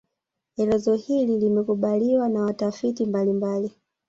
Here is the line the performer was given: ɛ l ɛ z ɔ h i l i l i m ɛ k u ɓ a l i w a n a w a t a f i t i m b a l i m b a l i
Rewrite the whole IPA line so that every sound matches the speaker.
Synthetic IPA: ɛ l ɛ z ɔ h i l i l i m ɛ k u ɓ a l i w a n a w a t a f i t i m b a l i m b a l i